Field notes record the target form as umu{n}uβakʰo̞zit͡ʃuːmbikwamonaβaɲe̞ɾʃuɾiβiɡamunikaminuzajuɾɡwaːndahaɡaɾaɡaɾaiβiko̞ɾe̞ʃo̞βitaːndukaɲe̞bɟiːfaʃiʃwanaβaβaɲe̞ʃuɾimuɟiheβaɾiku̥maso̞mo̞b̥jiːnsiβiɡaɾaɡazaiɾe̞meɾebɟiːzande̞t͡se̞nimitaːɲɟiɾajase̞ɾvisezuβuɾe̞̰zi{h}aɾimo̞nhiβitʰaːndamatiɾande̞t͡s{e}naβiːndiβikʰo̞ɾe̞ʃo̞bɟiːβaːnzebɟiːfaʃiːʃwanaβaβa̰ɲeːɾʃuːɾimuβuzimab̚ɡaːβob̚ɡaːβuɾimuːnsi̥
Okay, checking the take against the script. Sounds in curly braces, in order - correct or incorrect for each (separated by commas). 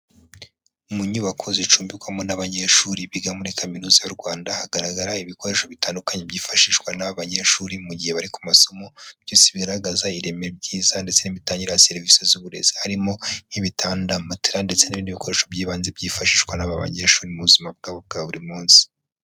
incorrect, correct, correct